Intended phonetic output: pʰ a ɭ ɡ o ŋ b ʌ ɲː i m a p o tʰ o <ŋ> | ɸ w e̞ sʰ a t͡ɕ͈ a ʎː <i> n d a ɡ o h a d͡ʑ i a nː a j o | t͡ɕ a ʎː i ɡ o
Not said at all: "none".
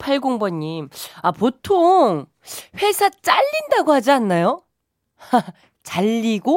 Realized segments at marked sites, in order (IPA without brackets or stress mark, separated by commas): ŋ, i